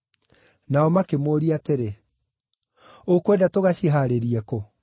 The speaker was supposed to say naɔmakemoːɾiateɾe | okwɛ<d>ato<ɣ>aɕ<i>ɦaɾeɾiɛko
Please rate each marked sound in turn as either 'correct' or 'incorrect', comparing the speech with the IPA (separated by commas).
correct, correct, correct